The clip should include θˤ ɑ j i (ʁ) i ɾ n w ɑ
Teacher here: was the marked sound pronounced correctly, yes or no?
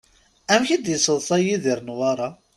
no